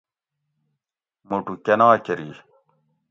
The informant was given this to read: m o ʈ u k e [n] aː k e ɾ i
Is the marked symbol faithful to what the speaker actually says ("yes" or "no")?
yes